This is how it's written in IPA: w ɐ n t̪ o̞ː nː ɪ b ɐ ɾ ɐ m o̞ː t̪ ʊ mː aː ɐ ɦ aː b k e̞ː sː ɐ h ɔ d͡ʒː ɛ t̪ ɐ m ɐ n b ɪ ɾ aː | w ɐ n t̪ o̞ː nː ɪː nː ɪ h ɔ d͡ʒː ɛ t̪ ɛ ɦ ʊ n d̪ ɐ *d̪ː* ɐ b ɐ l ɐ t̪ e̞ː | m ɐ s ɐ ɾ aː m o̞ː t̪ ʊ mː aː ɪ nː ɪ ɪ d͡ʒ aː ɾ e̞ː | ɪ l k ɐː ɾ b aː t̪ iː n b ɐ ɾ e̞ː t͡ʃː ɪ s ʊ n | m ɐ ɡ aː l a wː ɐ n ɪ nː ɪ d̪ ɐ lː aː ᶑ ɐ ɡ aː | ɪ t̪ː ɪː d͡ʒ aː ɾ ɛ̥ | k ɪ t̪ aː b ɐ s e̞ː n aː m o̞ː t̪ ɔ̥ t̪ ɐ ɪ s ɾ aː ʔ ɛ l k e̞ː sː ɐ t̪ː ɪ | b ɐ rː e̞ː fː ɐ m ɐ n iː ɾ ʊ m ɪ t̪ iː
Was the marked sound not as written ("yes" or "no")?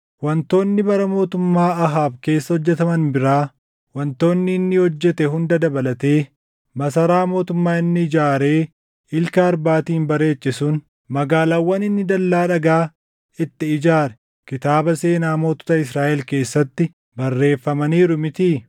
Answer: yes